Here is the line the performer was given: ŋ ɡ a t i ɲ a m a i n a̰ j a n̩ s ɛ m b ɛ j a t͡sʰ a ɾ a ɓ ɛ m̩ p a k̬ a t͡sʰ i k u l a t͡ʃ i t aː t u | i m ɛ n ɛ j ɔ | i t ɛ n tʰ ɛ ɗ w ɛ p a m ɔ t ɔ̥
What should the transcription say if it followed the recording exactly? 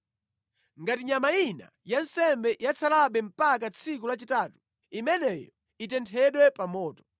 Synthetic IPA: ŋ ɡ a t i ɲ a m a i n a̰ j a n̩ s ɛ m b ɛ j a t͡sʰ a l a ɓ ɛ m̩ p a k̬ a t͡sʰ i k u l a t͡ʃ i t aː t u | i m ɛ n ɛ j ɔ | i t ɛ n tʰ ɛ ɗ w ɛ p a m ɔː t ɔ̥